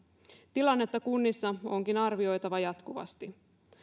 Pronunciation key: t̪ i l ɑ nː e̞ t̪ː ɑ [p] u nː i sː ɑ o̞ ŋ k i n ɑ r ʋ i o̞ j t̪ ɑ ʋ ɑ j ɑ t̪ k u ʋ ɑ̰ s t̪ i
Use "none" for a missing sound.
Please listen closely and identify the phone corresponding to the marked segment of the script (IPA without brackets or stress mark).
k